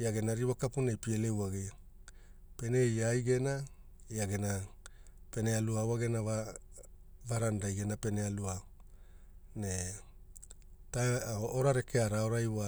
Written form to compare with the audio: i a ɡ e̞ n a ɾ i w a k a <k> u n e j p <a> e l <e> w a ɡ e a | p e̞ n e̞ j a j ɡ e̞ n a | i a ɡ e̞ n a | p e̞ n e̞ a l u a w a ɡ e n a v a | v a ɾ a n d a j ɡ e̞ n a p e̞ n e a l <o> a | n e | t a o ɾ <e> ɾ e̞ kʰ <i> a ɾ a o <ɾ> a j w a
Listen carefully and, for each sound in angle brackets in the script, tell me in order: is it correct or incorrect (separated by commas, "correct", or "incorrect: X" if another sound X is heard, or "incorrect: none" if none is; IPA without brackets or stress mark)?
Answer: incorrect: p, incorrect: i, correct, incorrect: u, incorrect: a, incorrect: e, correct